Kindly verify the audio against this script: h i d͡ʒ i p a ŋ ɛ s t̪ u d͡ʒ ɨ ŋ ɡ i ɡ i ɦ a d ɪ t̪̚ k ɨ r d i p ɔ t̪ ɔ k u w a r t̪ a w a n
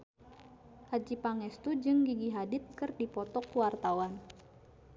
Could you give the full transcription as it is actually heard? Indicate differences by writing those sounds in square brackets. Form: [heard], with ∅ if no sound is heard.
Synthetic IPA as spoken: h [a] d͡ʒ i p a ŋ ɛ s t̪ u d͡ʒ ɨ ŋ ɡ i ɡ i ɦ a d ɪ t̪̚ k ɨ r d i p ɔ t̪ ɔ k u w a r t̪ a w a n

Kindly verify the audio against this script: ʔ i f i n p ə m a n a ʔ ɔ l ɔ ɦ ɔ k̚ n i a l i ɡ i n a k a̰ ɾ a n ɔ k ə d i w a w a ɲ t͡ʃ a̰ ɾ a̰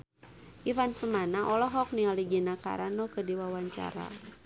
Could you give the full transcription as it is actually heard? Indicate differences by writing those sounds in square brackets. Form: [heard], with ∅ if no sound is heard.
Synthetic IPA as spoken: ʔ i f [a] n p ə m a n a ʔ ɔ l ɔ ɦ ɔ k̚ n i a l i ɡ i n a k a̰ ɾ a n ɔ k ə d i w a w a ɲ t͡ʃ a̰ ɾ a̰

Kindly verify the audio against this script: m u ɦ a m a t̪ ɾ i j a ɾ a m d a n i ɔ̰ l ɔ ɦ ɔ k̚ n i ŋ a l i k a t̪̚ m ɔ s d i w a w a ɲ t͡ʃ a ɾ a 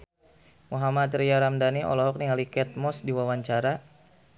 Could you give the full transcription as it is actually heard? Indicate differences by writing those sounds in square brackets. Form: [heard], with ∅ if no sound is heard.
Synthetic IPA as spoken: m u ɦ a m a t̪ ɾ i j a ɾ a m d a n i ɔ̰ l ɔ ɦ ɔ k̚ n i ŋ a l i k [ɛ] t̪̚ m ɔ s d i w a w a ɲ t͡ʃ a ɾ a

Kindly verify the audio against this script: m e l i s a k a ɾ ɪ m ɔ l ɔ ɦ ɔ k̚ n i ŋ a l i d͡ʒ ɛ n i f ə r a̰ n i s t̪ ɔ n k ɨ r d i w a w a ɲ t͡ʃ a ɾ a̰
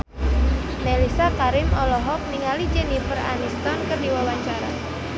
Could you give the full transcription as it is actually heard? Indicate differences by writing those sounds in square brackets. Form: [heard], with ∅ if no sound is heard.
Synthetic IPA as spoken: [n] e l i s a k a ɾ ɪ m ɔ l ɔ ɦ ɔ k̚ n i ŋ a l i d͡ʒ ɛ n i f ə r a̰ n i s t̪ ɔ n k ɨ r d i w a w a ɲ t͡ʃ a ɾ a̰

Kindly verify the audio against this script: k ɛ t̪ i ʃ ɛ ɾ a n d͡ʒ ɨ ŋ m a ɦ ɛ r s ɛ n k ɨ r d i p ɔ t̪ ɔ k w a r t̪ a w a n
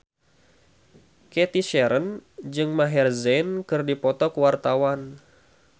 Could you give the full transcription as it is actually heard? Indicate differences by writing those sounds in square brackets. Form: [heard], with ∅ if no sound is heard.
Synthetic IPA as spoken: k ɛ t̪ i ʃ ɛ ɾ [ə] n d͡ʒ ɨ ŋ m a ɦ ɛ r [z] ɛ n k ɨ r d i p ɔ t̪ ɔ k w a r t̪ a w a n

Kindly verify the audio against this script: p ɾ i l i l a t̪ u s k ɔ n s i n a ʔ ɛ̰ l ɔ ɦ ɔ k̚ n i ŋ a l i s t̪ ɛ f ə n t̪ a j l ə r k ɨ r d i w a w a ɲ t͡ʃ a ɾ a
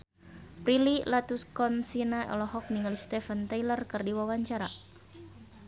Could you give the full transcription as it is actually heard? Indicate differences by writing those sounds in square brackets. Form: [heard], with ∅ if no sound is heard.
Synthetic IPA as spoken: p ɾ i l i l a t̪ u s k ɔ n s i n a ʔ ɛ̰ l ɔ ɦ ɔ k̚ n i ŋ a l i s t̪ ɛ f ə n t̪ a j l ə r k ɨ r d i w a w a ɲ t͡ʃ a ɾ a

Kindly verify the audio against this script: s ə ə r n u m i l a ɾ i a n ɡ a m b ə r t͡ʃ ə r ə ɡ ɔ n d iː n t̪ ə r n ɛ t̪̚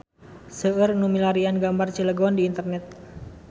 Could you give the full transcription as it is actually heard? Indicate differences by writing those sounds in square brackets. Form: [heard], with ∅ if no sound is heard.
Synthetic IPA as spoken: s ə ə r n u m i l a ɾ i a n ɡ a m b [a] r t͡ʃ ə [l] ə ɡ ɔ n d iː n t̪ ə r n ɛ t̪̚

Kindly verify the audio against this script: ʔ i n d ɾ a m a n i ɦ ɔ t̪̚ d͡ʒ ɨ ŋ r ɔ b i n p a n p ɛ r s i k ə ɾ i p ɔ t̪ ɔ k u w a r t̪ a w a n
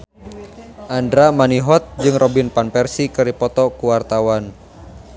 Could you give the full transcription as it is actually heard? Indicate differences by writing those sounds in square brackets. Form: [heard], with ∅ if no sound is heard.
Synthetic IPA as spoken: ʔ [a] n d ɾ a m a n i ɦ ɔ t̪̚ d͡ʒ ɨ ŋ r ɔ b i n p a n p ɛ r s i k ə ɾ i p ɔ t̪ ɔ k u w a r t̪ a w a n

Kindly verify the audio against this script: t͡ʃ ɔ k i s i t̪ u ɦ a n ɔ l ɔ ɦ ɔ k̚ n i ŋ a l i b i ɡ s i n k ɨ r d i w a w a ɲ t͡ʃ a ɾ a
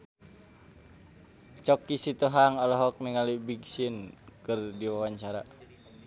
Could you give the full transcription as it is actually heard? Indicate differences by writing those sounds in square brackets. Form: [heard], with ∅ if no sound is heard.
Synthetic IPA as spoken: t͡ʃ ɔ k i s i t̪ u ɦ a [ŋ] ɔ l ɔ ɦ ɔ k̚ n i ŋ a l i b i ɡ s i n k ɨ r d i w a w a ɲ t͡ʃ a ɾ a

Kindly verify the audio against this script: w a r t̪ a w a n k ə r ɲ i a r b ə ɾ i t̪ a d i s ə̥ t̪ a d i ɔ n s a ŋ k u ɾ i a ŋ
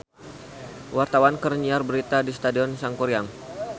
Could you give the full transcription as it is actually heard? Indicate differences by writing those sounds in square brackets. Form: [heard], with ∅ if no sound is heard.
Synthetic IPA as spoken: w a r t̪ a w a n k ə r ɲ i a r b ə ɾ i t̪ a d i s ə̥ t̪ a d i ɔ n s a ŋ k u ɾ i a ŋ

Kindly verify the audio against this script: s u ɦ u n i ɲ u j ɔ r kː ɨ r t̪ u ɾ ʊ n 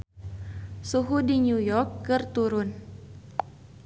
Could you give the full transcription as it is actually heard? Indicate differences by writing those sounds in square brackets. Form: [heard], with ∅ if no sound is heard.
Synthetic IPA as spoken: s u ɦ u [d] i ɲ u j ɔ r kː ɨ r t̪ u ɾ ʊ n

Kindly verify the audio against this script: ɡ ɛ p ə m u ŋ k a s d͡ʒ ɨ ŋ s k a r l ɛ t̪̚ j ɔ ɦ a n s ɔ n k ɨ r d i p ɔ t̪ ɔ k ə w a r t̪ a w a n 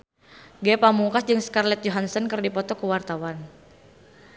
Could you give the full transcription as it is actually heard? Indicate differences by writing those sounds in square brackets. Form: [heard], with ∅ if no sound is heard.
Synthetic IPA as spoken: ɡ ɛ p [a] m u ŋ k a s d͡ʒ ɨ ŋ s k a r l ɛ t̪̚ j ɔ ɦ a n s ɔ n k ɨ r d i p ɔ t̪ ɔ k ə w a r t̪ a w a n

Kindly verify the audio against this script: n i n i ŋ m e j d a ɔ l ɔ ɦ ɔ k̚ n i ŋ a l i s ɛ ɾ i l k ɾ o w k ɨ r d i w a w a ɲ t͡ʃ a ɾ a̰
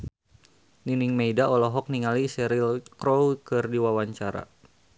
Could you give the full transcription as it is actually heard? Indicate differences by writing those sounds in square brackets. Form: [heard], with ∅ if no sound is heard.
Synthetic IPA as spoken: n i n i ŋ m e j d a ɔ l ɔ ɦ ɔ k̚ n i ŋ a l i s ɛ ɾ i l k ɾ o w k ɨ r d i w a w a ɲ t͡ʃ a ɾ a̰

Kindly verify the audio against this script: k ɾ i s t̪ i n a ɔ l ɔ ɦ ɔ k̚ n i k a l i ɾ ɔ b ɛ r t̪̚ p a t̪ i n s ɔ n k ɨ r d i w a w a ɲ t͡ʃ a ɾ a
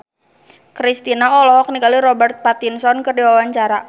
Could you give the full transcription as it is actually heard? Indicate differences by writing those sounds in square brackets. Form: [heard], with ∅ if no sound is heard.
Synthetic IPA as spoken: k ɾ i s t̪ i n a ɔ l ɔ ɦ ɔ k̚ n i k a l i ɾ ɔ b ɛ r t̪̚ p a t̪ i n s ɔ n k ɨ r d i w a w a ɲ t͡ʃ a ɾ a

